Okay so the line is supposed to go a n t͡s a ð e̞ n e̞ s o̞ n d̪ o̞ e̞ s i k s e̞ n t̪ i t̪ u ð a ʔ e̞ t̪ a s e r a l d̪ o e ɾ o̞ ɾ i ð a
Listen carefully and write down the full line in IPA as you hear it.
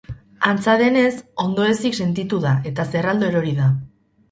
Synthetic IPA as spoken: a n t͡s a ð e̞ n e̞ s o̞ n d̪ o̞ e̞ s i k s e̞ n t̪ i t̪ u ð a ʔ e̞ t̪ a s e r a l d̪ o e ɾ o̞ ɾ i ð a